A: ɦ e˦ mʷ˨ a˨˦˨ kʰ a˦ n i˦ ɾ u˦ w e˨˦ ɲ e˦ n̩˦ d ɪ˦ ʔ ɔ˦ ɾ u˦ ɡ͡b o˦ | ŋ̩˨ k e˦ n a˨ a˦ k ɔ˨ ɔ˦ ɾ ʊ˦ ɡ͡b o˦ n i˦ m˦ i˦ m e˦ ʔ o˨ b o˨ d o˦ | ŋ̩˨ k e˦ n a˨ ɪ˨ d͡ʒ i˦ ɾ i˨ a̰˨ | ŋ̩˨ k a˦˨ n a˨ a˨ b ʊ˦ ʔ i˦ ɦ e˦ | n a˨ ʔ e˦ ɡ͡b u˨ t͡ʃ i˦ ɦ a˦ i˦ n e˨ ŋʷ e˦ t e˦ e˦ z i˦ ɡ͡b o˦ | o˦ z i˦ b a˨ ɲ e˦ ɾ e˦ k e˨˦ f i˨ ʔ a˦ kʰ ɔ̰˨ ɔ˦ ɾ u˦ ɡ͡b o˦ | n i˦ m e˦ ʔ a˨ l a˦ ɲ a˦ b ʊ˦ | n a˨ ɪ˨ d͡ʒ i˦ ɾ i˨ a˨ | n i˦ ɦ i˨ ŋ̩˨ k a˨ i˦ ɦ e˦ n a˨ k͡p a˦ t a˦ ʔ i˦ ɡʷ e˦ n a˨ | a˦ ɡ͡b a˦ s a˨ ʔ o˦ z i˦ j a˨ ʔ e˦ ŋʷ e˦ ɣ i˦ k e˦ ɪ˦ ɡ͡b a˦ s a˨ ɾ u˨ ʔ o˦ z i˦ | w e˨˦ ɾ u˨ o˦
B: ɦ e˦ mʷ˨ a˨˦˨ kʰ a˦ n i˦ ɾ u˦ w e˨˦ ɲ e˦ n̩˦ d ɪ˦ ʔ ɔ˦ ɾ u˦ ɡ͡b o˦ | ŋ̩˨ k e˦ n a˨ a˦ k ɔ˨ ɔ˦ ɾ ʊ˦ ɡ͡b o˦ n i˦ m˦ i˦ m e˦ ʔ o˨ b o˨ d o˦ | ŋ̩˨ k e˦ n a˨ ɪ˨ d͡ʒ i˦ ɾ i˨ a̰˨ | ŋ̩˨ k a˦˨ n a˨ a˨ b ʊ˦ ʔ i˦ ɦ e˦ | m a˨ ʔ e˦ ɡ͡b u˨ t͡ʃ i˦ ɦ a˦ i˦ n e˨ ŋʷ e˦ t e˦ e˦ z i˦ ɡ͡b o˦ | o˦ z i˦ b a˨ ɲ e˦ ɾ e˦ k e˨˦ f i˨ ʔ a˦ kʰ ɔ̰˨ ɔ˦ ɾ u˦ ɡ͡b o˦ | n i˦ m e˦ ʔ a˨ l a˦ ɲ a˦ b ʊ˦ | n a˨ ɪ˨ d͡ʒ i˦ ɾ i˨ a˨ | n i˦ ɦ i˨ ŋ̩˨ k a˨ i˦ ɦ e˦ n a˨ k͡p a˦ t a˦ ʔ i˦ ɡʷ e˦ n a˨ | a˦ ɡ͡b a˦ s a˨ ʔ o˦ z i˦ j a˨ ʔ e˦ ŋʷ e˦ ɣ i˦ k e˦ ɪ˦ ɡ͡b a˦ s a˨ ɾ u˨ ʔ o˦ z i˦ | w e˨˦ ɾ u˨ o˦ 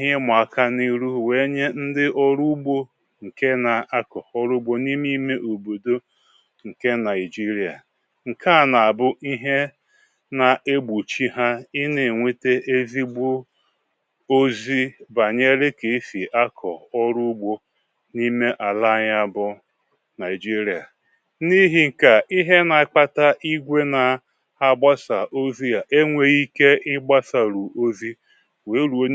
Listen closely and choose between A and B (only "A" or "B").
A